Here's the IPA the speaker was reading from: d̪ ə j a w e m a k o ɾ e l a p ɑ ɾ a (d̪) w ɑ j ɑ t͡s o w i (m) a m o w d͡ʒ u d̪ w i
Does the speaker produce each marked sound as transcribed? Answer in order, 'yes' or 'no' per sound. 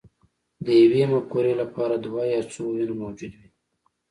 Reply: yes, no

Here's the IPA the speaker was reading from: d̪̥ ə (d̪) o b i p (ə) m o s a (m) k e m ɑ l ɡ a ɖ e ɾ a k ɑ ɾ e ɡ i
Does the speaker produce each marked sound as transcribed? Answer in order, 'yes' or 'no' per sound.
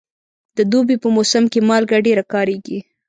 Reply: yes, yes, yes

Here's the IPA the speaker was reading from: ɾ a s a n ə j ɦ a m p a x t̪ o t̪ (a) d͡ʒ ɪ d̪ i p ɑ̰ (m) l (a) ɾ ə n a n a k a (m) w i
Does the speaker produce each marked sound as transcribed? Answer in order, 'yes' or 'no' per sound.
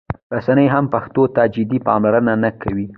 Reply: yes, yes, yes, no

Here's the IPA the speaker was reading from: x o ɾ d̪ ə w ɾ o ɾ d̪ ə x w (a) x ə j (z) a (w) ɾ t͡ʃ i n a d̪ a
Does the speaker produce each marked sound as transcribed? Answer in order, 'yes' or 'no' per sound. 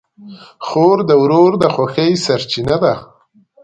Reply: yes, no, no

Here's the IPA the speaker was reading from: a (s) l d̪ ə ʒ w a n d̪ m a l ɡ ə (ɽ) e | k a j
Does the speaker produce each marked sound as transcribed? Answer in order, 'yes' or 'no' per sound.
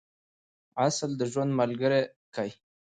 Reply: yes, no

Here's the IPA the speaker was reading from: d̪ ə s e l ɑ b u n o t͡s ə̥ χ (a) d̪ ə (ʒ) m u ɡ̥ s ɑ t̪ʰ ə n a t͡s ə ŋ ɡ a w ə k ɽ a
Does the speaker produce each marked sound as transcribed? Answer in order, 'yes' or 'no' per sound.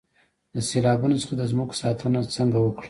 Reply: yes, no

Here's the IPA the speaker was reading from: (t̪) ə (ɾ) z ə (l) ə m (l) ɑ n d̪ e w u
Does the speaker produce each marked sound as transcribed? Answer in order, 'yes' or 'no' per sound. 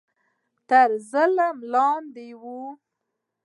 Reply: yes, yes, yes, yes

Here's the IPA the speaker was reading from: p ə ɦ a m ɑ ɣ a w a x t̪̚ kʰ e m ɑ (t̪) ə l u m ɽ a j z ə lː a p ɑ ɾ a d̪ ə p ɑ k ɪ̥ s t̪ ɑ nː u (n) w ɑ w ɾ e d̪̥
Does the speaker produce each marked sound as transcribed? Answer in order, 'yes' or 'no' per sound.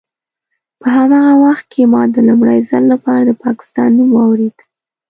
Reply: no, no

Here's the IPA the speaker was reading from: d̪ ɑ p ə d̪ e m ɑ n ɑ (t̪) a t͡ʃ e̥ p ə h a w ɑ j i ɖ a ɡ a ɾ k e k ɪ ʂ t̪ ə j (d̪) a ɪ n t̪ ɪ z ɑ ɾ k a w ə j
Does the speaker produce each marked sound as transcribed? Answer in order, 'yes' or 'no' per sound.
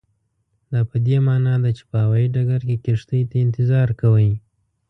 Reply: no, no

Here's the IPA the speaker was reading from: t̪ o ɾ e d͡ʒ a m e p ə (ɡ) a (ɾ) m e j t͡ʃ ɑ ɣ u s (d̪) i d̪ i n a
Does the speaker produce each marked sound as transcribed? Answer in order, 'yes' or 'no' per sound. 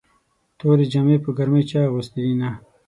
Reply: yes, yes, no

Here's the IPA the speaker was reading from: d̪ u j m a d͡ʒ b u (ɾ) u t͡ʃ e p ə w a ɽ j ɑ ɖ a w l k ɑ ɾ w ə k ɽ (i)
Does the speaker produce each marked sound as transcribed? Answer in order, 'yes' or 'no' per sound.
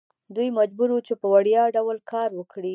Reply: yes, yes

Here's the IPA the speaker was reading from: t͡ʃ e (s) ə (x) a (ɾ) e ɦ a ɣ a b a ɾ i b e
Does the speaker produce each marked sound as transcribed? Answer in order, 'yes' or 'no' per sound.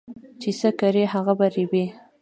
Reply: yes, no, yes

